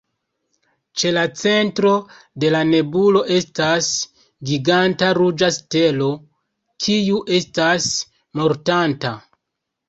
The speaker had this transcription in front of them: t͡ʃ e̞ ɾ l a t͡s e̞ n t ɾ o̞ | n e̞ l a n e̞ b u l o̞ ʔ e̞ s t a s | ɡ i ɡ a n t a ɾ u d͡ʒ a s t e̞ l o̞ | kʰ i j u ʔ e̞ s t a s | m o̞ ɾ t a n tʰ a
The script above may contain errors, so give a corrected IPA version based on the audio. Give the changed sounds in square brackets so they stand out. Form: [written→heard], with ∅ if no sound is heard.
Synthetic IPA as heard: t͡ʃ e̞ [ɾ→∅] l a t͡s e̞ n t ɾ o̞ | [n→d] e̞ l a n e̞ b u l o̞ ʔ e̞ s t a s | ɡ i ɡ a n t a ɾ u d͡ʒ a s t e̞ l o̞ | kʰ i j u ʔ e̞ s t a s | m o̞ ɾ t a n [tʰ→t] a